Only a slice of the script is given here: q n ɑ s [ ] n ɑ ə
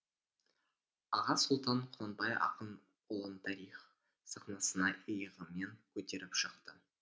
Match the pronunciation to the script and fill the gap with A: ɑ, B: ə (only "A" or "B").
B